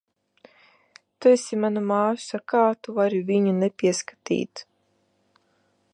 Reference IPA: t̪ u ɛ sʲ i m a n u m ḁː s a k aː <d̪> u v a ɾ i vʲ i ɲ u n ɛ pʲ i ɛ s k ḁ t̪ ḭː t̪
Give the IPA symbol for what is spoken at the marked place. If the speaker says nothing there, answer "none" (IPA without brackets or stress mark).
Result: t̪